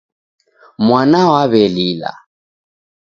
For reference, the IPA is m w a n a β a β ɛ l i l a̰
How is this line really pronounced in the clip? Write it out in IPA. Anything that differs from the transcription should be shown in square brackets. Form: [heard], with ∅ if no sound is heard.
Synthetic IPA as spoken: m w a n a [w] a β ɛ l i l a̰